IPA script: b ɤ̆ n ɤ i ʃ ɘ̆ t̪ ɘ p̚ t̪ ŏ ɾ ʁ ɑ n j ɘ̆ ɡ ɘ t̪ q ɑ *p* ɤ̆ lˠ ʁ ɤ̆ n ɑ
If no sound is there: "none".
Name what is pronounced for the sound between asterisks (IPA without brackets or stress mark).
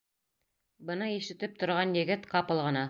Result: p